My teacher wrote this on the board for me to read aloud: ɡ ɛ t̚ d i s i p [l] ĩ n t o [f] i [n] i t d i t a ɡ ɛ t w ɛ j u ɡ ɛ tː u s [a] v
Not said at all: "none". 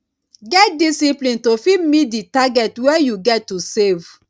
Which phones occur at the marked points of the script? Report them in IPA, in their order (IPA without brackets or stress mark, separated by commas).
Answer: l, f, m, e